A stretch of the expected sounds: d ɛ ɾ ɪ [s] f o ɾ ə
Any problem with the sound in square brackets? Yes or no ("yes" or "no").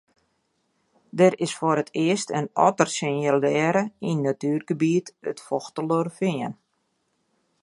no